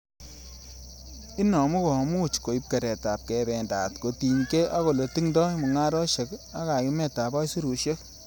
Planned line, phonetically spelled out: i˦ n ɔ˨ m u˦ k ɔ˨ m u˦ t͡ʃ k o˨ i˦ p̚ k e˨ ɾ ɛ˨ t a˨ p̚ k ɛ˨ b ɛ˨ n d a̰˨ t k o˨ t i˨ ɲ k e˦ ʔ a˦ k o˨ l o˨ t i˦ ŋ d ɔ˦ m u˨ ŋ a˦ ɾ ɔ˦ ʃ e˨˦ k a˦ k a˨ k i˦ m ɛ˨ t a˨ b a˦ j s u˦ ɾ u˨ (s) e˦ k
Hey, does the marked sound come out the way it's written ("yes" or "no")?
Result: no